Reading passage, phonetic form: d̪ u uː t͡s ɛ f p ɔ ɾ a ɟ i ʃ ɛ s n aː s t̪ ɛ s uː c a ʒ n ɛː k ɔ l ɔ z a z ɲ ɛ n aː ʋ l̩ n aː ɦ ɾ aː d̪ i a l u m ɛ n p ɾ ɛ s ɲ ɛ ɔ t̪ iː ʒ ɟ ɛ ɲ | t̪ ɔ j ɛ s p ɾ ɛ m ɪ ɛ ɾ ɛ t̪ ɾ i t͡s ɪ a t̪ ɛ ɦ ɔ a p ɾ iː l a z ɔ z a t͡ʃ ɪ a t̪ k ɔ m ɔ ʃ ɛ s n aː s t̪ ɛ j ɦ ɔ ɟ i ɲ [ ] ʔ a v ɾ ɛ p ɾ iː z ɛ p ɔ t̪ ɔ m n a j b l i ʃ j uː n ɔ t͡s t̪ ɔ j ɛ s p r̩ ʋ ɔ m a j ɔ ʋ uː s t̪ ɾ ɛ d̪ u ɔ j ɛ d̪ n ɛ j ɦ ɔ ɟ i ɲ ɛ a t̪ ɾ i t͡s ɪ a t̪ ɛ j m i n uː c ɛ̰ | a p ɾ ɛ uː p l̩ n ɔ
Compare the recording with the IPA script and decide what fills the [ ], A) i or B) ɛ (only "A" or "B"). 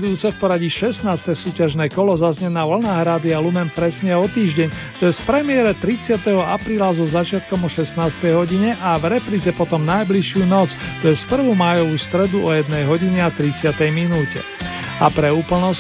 B